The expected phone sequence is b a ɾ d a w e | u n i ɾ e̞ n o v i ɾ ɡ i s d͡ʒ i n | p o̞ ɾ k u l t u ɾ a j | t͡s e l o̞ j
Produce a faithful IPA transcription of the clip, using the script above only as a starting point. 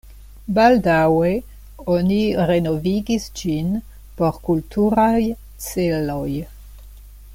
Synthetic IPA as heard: b a l d a w e | o n i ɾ e̞ n o v i ɡ i s d͡ʒ i n | p o̞ ɾ k u l t u ɾ a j | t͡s e l o̞ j